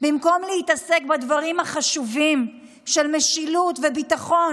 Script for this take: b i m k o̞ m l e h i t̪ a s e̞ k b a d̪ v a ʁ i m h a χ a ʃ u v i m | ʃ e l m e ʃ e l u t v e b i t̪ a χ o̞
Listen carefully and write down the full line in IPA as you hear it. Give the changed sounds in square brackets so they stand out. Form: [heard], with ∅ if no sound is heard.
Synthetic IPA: b i m k o̞ m l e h i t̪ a s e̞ k b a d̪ v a ʁ i m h a χ a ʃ u v i m | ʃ e l m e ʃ [i] l u t v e b i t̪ a χ o̞